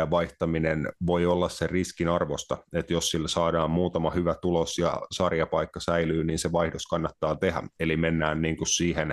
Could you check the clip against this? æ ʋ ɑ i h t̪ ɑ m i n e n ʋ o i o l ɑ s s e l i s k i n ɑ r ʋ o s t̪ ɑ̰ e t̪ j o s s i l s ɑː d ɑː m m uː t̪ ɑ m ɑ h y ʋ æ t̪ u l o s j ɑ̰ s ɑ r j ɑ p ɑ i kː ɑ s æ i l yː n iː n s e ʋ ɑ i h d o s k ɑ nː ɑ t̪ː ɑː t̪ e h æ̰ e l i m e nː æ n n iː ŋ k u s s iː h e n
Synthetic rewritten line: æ ʋ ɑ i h t̪ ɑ m i n e n ʋ o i o lː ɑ s s e r i s k i n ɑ r ʋ o s t̪ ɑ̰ e t̪ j o s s i l s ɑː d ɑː m m uː t̪ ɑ m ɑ h y ʋ æ t̪ u l o s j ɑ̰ s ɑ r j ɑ p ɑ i kː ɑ s æ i l yː n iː n s e ʋ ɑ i h d o s k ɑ nː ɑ t̪ː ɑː t̪ e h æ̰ e l i m e nː æː n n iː ŋ k u s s iː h e n